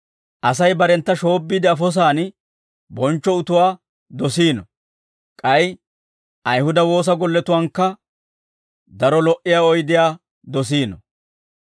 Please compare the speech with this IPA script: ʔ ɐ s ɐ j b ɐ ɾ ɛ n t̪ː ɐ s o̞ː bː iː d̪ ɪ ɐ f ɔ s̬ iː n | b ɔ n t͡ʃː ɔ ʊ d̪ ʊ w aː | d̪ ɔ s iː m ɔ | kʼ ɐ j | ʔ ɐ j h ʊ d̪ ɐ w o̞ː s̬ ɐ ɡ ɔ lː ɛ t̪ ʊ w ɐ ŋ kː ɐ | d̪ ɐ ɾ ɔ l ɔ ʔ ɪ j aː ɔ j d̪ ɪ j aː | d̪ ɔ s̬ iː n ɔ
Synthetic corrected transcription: ʔ ɐ s ɐ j b ɐ ɾ ɛ n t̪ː ɐ ʃ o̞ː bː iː d̪ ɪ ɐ f ɔ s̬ aː n | b ɔ n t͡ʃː ɔ ʊ t̪ ʊ w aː | d̪ ɔ s iː n ɔ | kʼ ɐ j | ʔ ɐ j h ʊ d̪ ɐ w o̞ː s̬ ɐ ɡ ɔ lː ɛ t̪ ʊ w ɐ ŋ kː ɐ | d̪ ɐ ɾ ɔ l ɔ ʔ ɪ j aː ɔ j d̪ ɪ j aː | d̪ ɔ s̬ iː n ɔ